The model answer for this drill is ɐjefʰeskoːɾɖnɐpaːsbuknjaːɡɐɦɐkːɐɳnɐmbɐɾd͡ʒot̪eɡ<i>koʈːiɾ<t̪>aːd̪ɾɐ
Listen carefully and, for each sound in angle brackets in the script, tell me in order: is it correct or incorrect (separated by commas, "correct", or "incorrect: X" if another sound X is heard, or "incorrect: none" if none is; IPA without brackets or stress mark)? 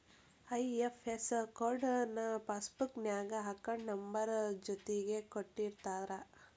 incorrect: e, correct